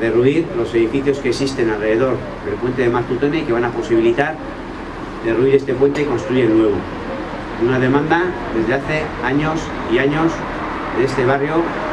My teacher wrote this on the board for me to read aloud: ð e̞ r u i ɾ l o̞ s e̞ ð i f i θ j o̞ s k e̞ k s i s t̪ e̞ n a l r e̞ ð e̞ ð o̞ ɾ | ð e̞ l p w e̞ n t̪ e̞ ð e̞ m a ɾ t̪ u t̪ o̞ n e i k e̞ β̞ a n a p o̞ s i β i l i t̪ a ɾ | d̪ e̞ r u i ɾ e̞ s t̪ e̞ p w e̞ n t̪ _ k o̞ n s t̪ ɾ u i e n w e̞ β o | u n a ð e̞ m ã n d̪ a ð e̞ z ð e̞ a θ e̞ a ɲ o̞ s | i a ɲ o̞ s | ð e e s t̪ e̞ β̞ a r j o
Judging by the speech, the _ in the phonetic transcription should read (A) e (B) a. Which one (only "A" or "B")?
A